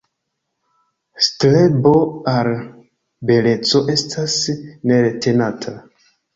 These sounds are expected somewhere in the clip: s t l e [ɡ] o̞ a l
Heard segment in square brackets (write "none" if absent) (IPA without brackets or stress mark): b